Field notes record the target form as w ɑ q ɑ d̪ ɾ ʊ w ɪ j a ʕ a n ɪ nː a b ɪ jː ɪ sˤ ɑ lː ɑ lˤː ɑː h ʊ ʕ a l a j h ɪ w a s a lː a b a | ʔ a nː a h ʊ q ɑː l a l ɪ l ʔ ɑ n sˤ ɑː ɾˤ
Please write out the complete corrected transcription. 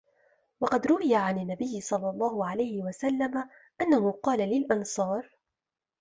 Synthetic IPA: w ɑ q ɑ d̪ ɾ ʊ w ɪ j a ʕ a n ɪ nː a b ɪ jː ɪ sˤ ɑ lː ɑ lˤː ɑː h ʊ ʕ a l a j h ɪ w a s a lː a m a | ʔ a nː a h ʊ q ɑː l a l ɪ l ʔ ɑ n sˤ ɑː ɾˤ